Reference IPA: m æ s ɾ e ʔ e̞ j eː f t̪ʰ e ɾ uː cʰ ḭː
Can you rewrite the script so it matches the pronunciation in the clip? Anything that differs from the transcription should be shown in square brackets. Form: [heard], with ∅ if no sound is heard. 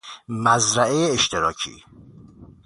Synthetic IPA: m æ [z] ɾ [æ] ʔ e̞ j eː [ʃ] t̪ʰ e ɾ [ɒː] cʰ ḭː